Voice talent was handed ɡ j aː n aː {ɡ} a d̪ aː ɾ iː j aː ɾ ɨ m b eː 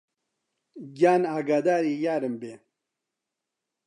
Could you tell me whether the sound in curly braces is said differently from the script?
no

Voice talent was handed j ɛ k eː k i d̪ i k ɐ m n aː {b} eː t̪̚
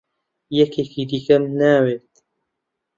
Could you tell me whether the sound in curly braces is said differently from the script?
yes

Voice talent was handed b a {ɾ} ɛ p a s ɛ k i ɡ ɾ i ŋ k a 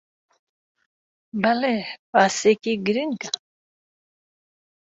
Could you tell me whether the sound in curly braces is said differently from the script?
yes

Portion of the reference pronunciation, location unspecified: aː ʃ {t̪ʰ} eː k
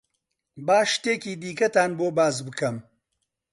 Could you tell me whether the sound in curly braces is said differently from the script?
yes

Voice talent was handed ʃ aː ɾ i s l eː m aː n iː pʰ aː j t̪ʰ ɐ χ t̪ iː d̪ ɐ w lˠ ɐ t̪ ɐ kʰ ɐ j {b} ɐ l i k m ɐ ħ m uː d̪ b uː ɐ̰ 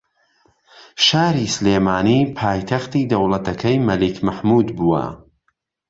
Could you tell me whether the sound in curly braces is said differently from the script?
yes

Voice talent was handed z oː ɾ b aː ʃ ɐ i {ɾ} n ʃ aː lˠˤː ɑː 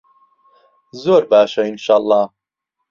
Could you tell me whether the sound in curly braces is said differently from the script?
yes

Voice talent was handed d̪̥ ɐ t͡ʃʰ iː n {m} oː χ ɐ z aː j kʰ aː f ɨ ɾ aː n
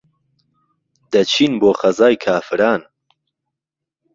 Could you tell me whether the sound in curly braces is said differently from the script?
yes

